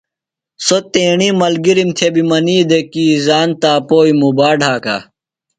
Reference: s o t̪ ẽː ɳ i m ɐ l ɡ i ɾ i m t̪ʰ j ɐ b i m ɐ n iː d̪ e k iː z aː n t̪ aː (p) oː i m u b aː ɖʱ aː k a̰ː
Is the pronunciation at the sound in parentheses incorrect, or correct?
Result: correct